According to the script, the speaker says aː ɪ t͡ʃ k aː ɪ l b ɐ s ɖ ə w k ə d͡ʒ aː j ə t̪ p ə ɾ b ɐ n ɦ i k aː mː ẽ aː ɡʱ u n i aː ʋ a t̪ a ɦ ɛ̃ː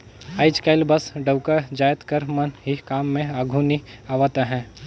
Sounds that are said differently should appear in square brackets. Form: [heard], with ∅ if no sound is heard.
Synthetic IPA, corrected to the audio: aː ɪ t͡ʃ k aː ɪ l b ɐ s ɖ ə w k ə d͡ʒ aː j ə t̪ [k] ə ɾ [m] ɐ n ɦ i k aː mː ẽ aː ɡʱ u n i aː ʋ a t̪ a ɦ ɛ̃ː